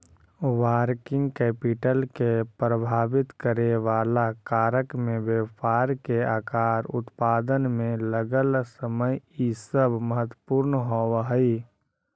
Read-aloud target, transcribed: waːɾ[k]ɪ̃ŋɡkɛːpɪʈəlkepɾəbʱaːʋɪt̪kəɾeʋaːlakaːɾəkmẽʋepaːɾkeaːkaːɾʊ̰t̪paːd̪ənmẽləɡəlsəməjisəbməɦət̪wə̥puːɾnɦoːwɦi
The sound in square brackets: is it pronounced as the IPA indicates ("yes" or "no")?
yes